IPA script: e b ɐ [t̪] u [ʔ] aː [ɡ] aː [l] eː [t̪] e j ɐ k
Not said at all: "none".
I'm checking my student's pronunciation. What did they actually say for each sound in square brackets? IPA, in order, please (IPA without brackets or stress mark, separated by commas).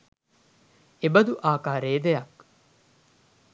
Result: d̪, ʔ, k, ɾ, d̪